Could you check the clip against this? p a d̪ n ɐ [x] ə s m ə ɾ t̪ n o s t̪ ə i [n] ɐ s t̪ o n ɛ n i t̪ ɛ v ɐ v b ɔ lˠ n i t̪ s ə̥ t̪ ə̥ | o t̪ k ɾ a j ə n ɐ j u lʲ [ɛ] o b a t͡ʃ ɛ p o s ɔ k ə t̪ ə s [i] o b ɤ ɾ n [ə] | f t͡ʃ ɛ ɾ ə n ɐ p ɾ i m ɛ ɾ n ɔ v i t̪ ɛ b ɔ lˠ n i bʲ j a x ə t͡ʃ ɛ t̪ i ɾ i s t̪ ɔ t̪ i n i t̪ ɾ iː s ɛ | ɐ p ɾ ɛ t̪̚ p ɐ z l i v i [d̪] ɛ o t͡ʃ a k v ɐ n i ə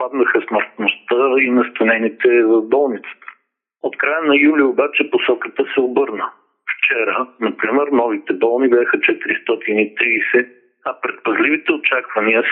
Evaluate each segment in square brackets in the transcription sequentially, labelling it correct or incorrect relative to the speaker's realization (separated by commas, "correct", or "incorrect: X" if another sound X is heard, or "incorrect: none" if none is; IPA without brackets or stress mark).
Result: correct, correct, incorrect: i, incorrect: ɛ, correct, incorrect: t̪